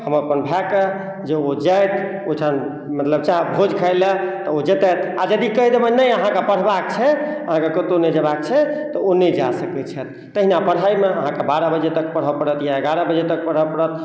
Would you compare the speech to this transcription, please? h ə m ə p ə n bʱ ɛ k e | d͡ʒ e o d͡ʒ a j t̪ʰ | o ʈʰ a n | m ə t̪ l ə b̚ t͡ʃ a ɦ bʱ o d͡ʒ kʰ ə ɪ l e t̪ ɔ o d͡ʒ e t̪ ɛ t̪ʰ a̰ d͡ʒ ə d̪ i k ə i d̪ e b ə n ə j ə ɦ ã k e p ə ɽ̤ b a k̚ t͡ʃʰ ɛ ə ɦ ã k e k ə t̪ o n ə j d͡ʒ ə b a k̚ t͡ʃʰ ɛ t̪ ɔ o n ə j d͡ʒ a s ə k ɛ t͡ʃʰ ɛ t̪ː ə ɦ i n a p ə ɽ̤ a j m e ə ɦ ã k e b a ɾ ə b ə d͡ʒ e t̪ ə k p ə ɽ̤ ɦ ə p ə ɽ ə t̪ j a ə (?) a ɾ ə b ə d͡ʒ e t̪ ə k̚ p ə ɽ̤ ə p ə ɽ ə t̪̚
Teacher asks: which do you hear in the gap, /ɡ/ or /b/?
ɡ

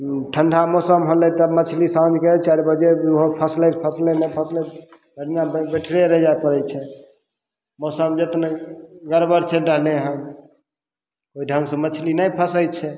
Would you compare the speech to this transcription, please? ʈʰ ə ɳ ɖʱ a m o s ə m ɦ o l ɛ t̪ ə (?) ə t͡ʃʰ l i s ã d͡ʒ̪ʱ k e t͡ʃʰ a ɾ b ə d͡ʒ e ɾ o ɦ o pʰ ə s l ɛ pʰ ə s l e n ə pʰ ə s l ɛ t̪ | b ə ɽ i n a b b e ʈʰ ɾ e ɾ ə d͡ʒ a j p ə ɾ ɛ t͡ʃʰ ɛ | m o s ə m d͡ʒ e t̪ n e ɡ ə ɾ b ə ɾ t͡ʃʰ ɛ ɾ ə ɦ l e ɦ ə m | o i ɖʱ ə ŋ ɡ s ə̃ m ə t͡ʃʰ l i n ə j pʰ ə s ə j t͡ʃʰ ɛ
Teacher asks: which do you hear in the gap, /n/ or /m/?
m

